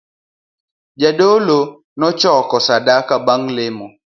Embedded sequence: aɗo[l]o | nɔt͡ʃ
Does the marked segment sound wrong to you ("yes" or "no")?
no